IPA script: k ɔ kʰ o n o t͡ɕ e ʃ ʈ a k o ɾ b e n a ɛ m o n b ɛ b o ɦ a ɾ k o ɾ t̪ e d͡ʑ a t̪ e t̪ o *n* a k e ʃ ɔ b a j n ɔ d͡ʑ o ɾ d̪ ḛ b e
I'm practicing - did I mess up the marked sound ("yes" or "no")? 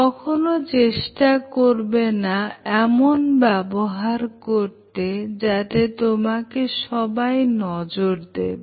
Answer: yes